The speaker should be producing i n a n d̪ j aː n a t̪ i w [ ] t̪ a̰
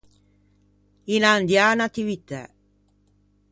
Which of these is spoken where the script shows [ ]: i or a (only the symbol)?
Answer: i